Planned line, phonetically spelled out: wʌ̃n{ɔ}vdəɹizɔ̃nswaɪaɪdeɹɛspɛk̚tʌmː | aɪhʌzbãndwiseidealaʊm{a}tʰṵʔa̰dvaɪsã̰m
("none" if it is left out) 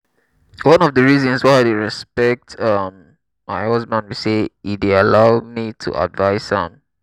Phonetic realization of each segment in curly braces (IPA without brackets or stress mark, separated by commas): ɔ, i